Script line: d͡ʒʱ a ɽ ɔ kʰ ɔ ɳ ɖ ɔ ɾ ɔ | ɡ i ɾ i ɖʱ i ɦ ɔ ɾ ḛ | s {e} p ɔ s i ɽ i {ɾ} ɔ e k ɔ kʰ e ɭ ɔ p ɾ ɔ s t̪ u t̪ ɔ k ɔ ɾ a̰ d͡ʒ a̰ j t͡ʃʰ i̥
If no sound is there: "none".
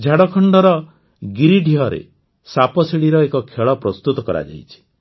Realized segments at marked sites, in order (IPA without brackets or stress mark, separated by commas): a, ɾ